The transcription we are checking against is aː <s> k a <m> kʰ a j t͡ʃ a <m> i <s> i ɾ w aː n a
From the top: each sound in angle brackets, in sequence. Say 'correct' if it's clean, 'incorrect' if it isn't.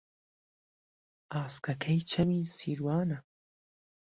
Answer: correct, incorrect: none, correct, correct

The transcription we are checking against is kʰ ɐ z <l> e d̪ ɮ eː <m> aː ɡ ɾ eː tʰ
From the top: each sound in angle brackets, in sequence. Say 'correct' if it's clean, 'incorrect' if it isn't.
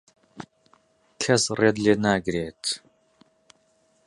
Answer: incorrect: r, incorrect: n

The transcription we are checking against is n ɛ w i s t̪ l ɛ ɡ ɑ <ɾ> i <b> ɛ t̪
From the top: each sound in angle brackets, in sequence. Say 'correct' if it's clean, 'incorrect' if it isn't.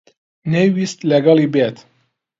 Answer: incorrect: l, correct

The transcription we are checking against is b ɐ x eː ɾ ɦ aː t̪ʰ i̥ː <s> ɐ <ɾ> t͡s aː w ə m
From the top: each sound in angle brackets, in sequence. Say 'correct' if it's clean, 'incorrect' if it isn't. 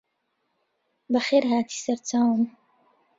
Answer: correct, correct

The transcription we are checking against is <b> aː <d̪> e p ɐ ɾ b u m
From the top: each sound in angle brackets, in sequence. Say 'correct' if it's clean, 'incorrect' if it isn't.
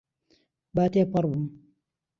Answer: correct, incorrect: t̪

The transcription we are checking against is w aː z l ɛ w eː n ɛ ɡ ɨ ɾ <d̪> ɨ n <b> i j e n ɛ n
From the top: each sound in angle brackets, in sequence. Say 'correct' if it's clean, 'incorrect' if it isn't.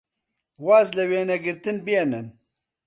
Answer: incorrect: t̪, correct

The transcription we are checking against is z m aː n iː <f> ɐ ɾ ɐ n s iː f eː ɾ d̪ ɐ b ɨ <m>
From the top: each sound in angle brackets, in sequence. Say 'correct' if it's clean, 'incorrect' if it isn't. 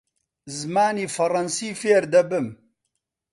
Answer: correct, correct

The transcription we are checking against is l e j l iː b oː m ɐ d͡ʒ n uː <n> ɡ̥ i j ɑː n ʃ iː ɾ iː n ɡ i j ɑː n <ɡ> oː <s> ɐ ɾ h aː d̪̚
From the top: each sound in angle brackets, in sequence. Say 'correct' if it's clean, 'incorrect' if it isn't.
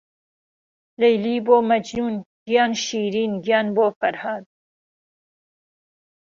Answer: correct, incorrect: b, incorrect: f

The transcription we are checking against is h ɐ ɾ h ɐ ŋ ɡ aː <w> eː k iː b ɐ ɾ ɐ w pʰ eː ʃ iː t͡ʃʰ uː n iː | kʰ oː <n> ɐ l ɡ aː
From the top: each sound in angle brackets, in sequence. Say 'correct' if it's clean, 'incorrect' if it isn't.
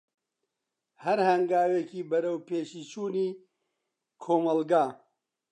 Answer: correct, incorrect: m

